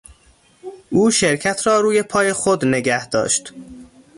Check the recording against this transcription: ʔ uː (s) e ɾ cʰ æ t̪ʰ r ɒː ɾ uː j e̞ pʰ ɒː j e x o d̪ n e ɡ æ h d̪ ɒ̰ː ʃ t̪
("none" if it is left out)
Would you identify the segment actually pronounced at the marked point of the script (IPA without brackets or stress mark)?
ʃ